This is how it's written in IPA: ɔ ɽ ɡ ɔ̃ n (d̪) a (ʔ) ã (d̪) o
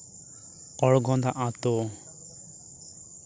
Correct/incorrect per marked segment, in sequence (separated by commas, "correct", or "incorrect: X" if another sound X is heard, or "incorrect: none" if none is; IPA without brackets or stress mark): correct, correct, incorrect: t̪